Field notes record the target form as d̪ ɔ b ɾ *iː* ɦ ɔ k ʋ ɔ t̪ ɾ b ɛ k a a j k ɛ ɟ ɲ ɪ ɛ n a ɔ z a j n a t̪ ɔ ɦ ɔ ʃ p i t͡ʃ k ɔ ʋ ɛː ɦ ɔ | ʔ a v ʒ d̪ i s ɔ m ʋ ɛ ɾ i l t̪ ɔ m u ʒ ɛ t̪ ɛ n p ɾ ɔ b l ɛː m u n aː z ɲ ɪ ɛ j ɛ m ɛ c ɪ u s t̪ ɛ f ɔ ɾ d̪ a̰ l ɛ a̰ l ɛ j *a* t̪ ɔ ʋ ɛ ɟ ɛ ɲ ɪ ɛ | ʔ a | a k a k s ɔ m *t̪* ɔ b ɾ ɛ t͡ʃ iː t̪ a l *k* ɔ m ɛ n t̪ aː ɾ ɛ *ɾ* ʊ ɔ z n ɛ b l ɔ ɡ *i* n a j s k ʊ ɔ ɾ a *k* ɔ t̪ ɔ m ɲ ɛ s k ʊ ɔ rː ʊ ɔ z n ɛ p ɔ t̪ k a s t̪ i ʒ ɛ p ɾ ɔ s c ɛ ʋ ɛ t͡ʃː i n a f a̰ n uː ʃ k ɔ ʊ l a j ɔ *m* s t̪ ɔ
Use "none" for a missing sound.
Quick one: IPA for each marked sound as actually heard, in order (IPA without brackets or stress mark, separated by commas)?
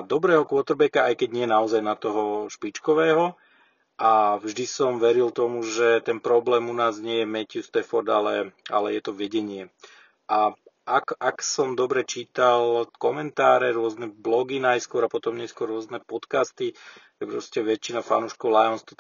ɛː, ɛ, d̪, k, ɾ, i, p, n